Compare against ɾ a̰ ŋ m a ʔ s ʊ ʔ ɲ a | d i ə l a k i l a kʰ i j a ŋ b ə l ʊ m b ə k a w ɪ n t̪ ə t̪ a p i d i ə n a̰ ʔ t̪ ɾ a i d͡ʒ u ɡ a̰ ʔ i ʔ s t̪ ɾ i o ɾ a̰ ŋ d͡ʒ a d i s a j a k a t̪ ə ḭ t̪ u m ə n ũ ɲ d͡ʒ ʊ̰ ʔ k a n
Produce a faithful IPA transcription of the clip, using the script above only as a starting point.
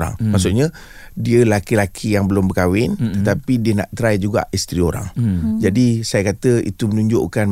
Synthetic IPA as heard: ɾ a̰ ŋ m a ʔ s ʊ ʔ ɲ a | d i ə l a k i l a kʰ i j a ŋ b ə l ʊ m b ə k a w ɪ n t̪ ə t̪ a p i d i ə n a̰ ʔ t̪ ɾ a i d͡ʒ u ɡ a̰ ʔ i s t̪ ɾ i o ɾ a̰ ŋ d͡ʒ a d i s a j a k a t̪ ə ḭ t̪ u m ə n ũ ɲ d͡ʒ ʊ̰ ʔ k a n